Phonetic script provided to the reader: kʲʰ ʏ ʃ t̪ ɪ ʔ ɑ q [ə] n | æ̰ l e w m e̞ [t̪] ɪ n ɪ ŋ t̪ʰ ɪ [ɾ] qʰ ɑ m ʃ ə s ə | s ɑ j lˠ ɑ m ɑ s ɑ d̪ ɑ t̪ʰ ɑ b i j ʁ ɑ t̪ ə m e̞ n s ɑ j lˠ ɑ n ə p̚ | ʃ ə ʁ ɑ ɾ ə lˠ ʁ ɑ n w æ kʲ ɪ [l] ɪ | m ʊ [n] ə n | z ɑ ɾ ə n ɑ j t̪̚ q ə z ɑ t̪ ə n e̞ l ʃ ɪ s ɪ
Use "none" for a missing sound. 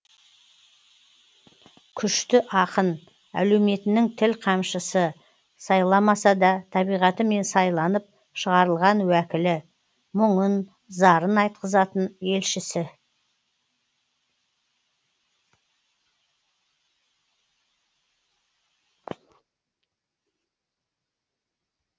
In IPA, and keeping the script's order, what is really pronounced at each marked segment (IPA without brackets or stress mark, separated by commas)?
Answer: ə, t̪, l, l, ɴ